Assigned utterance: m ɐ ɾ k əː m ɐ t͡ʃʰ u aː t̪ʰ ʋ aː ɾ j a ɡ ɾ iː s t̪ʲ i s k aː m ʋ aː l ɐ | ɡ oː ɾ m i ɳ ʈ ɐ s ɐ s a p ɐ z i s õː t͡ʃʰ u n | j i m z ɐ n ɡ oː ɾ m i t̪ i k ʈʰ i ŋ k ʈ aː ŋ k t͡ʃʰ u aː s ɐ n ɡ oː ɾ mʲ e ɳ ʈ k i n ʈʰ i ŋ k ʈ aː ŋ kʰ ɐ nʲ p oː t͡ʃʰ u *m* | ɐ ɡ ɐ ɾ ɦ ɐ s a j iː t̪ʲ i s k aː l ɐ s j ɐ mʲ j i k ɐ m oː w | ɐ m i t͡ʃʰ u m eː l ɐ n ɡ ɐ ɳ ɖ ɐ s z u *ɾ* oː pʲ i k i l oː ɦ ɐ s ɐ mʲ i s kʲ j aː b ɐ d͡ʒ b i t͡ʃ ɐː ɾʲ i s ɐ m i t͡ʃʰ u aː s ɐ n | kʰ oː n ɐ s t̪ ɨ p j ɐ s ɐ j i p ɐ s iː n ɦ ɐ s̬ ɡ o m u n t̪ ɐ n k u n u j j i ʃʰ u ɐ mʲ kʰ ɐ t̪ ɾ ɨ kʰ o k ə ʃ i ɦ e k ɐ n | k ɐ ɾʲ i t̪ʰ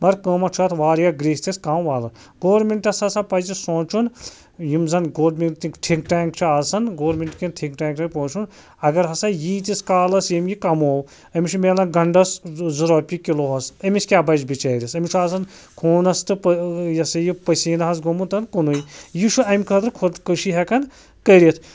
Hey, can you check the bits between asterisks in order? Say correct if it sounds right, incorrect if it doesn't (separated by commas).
incorrect, correct